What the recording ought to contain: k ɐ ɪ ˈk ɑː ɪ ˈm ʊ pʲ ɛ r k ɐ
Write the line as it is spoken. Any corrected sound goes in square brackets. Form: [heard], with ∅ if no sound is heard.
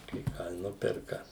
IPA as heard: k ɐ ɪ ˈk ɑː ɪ [ˈn] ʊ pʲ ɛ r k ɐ

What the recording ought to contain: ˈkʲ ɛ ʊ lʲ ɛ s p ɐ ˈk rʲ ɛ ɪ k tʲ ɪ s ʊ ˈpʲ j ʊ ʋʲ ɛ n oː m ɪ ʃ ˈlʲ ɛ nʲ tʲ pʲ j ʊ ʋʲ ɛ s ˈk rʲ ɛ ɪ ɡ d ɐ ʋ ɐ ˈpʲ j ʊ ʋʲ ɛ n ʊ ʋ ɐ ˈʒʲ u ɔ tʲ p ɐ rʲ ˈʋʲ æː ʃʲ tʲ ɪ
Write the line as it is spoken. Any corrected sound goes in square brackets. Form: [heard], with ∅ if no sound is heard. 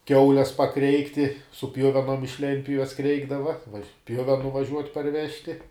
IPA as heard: ˈkʲ ɛ ʊ lʲ ɛ s p ɐ ˈk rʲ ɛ ɪ k tʲ ɪ s ʊ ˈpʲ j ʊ ʋʲ ɛ n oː m ɪ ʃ ˈlʲ ɛ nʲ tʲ pʲ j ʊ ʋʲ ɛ s ˈk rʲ ɛ ɪ ɡ d ɐ ʋ ɐ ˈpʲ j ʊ ʋʲ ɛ n ʊ ʋ ɐ ˈʒʲ u ɔ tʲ p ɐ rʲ ˈʋʲ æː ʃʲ tʲ ɪ

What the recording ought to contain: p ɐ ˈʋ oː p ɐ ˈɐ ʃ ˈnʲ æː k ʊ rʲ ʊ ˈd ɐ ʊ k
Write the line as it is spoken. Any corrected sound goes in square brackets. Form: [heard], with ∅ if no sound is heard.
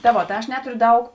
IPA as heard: [t] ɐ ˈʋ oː [t] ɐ ˈɐ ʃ ˈnʲ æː [t] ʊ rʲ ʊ ˈd ɐ ʊ k

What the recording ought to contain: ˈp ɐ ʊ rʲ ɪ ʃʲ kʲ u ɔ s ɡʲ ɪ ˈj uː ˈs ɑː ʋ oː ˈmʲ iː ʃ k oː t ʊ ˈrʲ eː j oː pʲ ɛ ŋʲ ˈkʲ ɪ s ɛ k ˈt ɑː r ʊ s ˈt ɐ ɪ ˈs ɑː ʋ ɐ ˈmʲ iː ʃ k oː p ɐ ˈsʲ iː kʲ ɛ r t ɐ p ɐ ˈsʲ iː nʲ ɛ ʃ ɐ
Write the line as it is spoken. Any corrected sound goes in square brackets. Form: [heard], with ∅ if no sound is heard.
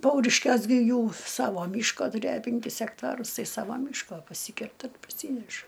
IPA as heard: ˈp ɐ ʊ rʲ ɪ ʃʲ kʲ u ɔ s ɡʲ ɪ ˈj uː ˈs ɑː ʋ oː ˈmʲ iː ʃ k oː t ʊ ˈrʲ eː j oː pʲ ɛ ŋʲ ˈkʲ ɪ s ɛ k ˈt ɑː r ʊ s ˈt ɐ ɪ ˈs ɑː ʋ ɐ ˈmʲ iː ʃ k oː p ɐ ˈsʲ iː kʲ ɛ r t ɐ p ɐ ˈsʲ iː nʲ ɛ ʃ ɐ

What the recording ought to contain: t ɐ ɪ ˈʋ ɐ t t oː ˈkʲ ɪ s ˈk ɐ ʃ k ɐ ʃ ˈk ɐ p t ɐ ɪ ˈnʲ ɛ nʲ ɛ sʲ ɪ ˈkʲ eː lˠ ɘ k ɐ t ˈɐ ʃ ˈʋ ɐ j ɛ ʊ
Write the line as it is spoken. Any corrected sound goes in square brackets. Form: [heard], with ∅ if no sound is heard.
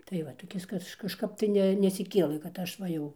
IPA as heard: t ɐ ɪ ˈʋ ɐ t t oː ˈkʲ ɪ s ˈk ɐ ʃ k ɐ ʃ ˈk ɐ p t ɐ ɪ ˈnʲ ɛ nʲ ɛ sʲ ɪ ˈkʲ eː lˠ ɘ k ɐ t ˈɐ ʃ ˈʋ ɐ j ɛ ʊ

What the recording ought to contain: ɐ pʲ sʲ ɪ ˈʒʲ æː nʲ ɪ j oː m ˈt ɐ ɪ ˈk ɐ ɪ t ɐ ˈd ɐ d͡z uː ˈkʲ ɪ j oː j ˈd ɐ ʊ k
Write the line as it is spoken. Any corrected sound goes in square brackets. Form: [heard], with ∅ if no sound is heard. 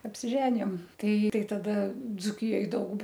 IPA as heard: ɐ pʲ sʲ ɪ ˈʒʲ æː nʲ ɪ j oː m ˈt ɐ ɪ [ˈt] ɐ ɪ t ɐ ˈd ɐ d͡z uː ˈkʲ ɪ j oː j ˈd ɐ ʊ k

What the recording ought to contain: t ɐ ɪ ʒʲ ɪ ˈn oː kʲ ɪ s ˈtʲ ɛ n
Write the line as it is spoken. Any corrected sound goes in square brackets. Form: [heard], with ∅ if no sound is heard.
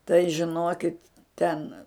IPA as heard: t ɐ ɪ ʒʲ ɪ ˈn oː kʲ ɪ [t] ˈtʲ ɛ n

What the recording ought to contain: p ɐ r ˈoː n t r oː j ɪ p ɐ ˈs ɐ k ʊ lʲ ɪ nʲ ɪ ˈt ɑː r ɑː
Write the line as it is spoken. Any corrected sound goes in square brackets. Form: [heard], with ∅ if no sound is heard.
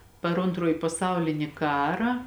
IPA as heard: p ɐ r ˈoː n t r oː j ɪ p ɐ ˈs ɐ [∅] ʊ lʲ ɪ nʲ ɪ [ˈk] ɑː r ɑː

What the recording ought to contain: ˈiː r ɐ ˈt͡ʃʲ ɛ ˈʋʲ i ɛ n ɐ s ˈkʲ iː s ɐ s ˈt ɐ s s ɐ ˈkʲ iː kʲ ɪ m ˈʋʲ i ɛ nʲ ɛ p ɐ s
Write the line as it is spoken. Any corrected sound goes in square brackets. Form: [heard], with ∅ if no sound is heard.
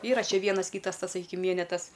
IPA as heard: ˈiː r ɐ ˈt͡ʃʲ ɛ ˈʋʲ i ɛ n ɐ s ˈkʲ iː [t] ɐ s ˈt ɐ s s ɐ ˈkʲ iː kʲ ɪ m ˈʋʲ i ɛ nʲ ɛ [t] ɐ s

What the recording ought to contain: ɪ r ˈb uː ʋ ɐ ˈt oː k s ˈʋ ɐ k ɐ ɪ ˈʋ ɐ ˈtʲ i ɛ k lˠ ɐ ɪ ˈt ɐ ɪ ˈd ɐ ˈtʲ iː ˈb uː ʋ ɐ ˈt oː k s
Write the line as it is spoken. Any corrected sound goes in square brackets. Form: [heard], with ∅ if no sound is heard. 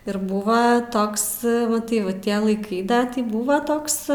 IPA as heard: ɪ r ˈb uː ʋ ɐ ˈt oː k s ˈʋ ɐ [t] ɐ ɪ ˈʋ ɐ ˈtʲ i ɛ [∅] lˠ ɐ ɪ [ˈk] ɐ ɪ ˈd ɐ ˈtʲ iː ˈb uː ʋ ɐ ˈt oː k s

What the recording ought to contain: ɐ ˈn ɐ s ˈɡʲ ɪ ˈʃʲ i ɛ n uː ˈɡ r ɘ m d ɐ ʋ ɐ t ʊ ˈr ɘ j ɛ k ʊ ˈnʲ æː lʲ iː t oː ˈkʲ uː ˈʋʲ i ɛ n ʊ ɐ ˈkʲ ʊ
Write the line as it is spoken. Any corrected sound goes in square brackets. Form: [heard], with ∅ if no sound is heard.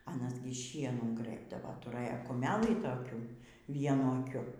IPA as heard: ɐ ˈn ɐ s ˈɡʲ ɪ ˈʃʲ i ɛ n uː ˈɡ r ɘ [b] d ɐ ʋ ɐ t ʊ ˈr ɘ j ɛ k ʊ [ˈmʲ] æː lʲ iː t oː ˈkʲ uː ˈʋʲ i ɛ n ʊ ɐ ˈkʲ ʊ

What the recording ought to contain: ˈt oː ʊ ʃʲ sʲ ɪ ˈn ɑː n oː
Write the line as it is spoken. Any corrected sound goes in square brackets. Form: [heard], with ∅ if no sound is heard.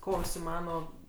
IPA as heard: [ˈk] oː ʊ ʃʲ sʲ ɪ [ˈm] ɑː n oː

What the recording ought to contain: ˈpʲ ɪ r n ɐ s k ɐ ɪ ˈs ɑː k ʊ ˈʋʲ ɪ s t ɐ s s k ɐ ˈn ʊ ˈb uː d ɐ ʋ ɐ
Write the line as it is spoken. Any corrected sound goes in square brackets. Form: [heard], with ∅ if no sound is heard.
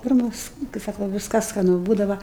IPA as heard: ˈpʲ ɪ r [m] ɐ s k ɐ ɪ ˈs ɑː k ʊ ˈʋʲ ɪ s [k] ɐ s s k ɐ ˈn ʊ ˈb uː d ɐ ʋ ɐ

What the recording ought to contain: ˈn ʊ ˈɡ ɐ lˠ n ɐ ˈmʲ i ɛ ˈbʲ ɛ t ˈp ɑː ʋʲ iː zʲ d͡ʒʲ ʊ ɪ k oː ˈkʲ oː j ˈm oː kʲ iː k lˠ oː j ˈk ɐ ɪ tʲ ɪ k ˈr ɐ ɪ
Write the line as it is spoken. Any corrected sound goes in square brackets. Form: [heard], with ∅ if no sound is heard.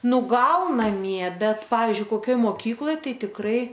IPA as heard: ˈn ʊ ˈɡ ɐ lˠ n ɐ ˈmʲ i ɛ ˈbʲ ɛ t ˈp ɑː ʋʲ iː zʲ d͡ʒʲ ʊ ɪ k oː ˈkʲ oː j ˈm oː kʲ iː k lˠ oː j [ˈt] ɐ ɪ tʲ ɪ k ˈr ɐ ɪ

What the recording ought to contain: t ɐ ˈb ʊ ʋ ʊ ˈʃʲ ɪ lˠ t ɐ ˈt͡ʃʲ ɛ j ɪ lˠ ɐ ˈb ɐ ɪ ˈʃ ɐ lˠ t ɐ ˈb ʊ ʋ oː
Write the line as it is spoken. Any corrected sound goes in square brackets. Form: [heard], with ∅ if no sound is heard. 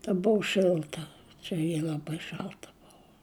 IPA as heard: t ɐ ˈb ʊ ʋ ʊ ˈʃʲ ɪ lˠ t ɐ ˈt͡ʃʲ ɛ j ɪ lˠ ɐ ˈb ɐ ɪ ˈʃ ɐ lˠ t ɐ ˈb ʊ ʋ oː

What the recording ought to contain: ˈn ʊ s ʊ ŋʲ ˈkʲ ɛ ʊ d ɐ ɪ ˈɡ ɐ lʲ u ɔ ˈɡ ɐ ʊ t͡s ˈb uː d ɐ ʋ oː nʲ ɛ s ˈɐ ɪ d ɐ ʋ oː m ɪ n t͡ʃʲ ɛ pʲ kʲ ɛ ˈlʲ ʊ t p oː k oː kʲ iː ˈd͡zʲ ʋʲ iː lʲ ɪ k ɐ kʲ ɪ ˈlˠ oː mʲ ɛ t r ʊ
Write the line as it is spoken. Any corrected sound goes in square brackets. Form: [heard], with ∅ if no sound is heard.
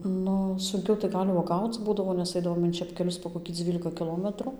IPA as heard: ˈn ʊ s ʊ ŋʲ ˈkʲ ɛ ʊ [t] ɐ ɪ ˈɡ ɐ lʲ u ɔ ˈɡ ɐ ʊ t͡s ˈb uː d ɐ ʋ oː nʲ ɛ s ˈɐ ɪ d ɐ ʋ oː m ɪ n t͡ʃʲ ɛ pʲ kʲ ɛ ˈlʲ ʊ [s] p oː k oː kʲ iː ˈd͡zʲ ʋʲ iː lʲ ɪ k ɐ kʲ ɪ ˈlˠ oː mʲ ɛ t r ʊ

